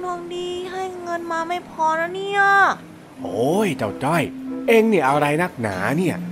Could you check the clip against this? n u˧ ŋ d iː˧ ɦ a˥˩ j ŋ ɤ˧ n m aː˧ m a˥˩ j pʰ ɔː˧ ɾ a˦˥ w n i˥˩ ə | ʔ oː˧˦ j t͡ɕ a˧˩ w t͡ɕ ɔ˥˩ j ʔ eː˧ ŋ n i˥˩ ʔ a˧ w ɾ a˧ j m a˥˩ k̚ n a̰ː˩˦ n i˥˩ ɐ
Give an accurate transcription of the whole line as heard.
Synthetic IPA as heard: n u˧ ŋ d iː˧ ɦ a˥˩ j ŋ ɤ˧ n m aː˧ m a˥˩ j pʰ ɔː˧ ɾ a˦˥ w n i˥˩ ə | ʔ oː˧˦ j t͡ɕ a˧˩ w t͡ɕ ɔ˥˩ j ʔ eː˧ ŋ n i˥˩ ʔ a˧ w ɾ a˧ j n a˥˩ k̚ n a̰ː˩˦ n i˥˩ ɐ